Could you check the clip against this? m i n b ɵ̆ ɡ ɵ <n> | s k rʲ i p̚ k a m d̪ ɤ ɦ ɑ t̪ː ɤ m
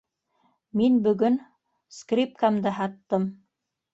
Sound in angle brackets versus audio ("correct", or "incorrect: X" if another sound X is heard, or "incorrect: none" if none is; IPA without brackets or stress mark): correct